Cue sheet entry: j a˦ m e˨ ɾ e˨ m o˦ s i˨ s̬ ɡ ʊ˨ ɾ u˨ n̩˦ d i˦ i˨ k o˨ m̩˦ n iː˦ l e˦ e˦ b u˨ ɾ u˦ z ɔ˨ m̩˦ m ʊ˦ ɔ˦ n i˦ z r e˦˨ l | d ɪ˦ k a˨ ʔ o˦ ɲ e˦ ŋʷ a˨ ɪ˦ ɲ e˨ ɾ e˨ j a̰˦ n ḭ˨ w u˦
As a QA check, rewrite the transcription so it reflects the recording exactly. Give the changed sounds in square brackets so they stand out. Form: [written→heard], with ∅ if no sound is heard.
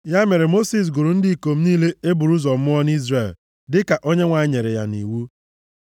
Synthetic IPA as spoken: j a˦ m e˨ ɾ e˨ m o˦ s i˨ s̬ ɡ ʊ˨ ɾ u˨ n̩˦ d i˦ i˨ k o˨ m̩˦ n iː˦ l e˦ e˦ b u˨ ɾ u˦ z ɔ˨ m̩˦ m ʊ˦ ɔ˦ n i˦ z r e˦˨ l | d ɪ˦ k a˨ ʔ o˦ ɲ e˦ ŋʷ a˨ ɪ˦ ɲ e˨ ɾ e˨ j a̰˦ n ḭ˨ w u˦